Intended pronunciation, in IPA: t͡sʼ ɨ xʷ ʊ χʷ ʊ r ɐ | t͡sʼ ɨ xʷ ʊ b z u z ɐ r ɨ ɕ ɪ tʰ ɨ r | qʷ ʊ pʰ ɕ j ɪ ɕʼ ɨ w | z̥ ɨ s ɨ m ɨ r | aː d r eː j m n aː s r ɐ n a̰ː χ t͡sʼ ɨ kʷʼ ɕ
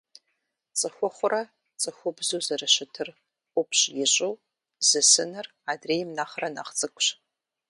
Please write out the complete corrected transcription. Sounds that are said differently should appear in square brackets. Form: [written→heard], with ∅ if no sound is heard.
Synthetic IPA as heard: t͡sʼ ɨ xʷ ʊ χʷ ʊ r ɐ | t͡sʼ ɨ xʷ ʊ b z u z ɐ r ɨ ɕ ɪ tʰ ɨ r | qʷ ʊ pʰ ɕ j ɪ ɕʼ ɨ w | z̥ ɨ s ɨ [m→n] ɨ r | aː d r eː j m n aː [s→χ] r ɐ n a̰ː χ t͡sʼ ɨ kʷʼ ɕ

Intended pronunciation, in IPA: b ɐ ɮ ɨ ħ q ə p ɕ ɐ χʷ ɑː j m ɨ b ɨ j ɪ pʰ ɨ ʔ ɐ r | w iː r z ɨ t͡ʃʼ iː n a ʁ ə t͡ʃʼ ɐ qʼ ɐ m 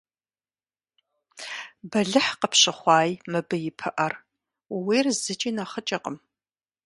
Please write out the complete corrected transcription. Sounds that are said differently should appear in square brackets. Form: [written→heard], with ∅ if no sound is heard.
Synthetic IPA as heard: b ɐ ɮ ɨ ħ q ə p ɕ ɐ χʷ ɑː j m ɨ b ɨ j ɪ pʰ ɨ ʔ ɐ r | w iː r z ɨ t͡ʃʼ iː n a [ʁ→χ] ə t͡ʃʼ ɐ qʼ [ɐ→ə] m

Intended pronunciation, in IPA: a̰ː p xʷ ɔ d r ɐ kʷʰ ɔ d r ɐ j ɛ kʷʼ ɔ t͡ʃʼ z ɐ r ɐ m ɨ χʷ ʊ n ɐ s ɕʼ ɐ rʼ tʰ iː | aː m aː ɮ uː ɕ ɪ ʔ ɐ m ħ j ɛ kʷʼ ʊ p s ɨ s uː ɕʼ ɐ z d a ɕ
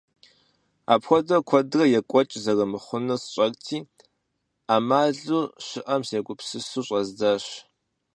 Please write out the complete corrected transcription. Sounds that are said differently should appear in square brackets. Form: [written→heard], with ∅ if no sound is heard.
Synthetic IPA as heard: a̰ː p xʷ ɔ d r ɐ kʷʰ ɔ d r ɐ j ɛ kʷʼ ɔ t͡ʃʼ z ɐ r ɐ m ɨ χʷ ʊ n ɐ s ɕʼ ɐ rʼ tʰ iː | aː m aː ɮ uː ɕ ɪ ʔ ɐ m [ħ→s] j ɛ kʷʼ ʊ p s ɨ s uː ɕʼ ɐ z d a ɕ

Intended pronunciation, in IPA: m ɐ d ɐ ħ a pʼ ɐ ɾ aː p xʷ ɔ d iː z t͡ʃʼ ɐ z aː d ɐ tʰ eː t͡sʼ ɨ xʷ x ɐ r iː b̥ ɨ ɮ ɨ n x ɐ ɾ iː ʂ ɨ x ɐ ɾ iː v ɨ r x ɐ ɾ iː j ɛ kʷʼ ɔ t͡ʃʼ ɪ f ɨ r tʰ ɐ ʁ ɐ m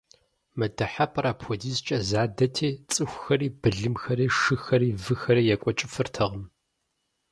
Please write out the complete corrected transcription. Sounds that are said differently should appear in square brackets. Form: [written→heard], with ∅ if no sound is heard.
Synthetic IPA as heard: m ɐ d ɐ ħ a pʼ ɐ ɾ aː p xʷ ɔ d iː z t͡ʃʼ ɐ z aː d ɐ tʰ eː t͡sʼ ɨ xʷ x ɐ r iː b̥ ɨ ɮ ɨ [n→m] x ɐ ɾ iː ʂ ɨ x ɐ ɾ iː v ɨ [r→∅] x ɐ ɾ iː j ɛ kʷʼ ɔ t͡ʃʼ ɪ f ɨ r tʰ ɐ ʁ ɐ m

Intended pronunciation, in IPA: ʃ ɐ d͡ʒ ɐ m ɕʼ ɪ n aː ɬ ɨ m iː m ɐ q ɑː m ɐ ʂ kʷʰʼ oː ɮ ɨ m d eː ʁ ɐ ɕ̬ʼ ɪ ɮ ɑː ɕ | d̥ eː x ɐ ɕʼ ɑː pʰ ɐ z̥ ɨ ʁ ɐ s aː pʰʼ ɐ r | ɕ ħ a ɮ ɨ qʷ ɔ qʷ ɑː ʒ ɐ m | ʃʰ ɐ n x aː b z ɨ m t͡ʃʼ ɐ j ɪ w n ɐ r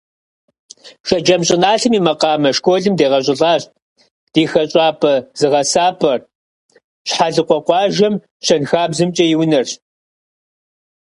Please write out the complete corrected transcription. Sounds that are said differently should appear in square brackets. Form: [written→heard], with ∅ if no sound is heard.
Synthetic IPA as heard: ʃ ɐ d͡ʒ ɐ m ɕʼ ɪ n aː ɬ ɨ m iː m ɐ q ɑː m ɐ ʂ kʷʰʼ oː ɮ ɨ m d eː ʁ ɐ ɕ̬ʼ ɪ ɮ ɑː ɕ | d̥ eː x ɐ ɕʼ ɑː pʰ ɐ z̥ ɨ ʁ ɐ s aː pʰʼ ɐ r | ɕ ħ a ɮ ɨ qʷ ɔ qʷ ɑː ʒ ɐ m | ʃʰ ɐ n x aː b z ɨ m t͡ʃʼ ɐ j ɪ w n ɐ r

